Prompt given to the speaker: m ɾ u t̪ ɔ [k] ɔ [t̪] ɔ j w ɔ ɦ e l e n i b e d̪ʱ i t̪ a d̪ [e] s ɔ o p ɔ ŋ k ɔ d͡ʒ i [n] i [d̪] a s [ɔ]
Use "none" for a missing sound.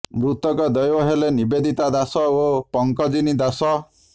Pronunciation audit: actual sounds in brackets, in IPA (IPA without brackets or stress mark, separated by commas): k, d̪, a, n, d̪, ɔ